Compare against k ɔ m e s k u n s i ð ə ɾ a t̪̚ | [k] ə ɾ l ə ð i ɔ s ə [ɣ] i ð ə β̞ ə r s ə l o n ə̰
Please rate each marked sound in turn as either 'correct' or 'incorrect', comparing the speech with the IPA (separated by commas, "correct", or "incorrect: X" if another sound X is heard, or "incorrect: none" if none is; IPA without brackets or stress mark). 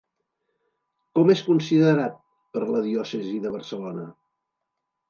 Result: incorrect: p, incorrect: z